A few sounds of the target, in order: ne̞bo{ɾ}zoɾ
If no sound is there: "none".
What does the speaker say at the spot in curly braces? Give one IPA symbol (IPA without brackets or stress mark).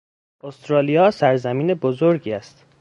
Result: none